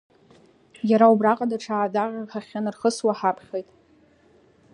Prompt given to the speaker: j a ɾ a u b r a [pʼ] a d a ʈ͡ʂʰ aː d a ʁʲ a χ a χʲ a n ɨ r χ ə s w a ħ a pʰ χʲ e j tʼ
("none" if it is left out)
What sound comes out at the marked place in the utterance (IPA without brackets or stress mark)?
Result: qʼ